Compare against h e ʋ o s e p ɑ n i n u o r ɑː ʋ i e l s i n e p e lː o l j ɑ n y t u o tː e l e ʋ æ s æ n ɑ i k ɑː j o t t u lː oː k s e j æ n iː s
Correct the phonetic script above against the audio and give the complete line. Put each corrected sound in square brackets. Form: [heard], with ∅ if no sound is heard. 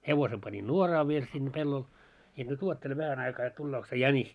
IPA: h e ʋ o s e p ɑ n i n u o r ɑː ʋ i e l s i [nː] e p e lː o l j ɑ n y t u o tː e l e ʋ æ [h] æ n ɑ i k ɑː j o t t u lː oː k s e j æ n [i] s